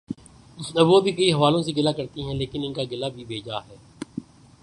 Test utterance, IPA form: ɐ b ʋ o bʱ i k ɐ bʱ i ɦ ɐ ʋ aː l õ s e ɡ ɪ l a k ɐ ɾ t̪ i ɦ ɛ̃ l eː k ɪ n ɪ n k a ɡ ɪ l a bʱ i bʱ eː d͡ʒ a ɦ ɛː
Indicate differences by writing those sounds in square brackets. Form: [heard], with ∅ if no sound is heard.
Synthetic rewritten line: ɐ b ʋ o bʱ i k ɐ [∅] i ɦ ɐ ʋ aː l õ s e ɡ ɪ l a k ɐ ɾ t̪ i ɦ ɛ̃ l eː k ɪ n ɪ n k a ɡ ɪ l a bʱ i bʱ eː d͡ʒ a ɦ ɛː